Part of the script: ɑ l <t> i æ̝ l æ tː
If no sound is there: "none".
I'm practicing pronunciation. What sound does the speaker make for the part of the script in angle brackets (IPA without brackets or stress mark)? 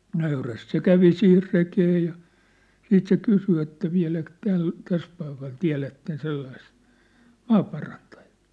t